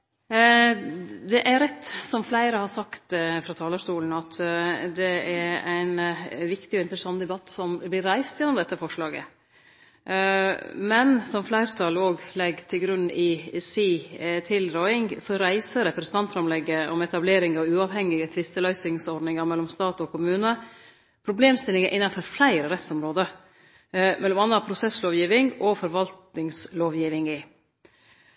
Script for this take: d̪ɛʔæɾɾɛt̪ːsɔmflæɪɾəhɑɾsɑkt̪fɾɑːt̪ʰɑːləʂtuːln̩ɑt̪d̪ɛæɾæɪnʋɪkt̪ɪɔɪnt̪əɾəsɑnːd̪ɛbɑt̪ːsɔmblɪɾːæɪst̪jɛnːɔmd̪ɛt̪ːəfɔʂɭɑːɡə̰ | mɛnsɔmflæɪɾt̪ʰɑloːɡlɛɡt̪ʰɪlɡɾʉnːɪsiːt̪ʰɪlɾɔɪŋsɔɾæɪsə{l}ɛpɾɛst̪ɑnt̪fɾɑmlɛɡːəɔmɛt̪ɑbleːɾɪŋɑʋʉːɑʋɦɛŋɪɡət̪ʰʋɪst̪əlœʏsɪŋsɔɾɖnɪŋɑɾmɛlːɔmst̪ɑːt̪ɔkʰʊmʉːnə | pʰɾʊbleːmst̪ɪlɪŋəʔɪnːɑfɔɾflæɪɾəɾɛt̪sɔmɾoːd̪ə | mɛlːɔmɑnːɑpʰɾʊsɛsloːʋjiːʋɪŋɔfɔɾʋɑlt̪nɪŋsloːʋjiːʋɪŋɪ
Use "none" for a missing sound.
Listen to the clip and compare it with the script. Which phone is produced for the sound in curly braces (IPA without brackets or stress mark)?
ɾ